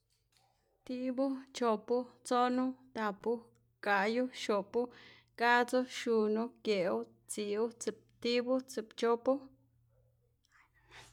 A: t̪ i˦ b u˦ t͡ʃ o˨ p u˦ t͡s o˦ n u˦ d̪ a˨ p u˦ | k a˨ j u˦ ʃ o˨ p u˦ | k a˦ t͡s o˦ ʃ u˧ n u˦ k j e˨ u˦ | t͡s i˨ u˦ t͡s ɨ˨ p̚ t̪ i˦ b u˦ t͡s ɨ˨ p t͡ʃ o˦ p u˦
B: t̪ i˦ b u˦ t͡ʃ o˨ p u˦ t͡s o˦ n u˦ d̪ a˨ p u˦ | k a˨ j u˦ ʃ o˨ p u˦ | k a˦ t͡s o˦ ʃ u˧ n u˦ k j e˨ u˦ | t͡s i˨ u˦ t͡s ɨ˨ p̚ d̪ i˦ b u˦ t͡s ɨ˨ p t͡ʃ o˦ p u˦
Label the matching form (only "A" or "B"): A